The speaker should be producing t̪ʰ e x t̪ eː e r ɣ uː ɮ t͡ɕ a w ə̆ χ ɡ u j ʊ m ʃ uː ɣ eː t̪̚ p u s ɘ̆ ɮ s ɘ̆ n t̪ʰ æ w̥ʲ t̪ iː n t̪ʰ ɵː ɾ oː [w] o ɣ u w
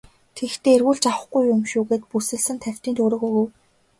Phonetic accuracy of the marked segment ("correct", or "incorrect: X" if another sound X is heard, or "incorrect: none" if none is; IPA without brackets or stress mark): incorrect: ɣ